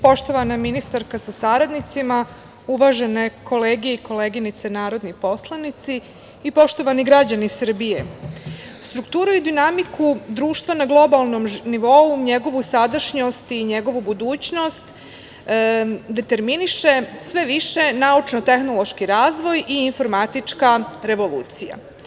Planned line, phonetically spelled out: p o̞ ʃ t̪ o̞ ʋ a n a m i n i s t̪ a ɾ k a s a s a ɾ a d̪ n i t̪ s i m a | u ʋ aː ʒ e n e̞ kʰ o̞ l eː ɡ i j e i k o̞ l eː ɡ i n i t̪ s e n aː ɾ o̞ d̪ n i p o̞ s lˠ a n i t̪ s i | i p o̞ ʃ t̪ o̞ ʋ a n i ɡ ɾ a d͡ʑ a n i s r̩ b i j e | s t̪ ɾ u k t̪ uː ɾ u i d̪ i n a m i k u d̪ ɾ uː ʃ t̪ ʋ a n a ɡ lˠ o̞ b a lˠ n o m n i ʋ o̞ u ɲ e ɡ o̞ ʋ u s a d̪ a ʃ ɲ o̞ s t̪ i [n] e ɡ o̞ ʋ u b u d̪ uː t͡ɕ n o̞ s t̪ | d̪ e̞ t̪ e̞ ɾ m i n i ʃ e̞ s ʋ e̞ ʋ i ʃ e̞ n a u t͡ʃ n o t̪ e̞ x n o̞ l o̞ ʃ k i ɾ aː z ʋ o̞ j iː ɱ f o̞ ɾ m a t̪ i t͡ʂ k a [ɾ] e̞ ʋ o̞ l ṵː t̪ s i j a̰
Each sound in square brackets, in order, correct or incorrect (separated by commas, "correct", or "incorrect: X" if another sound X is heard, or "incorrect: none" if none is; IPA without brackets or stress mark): incorrect: ɲ, correct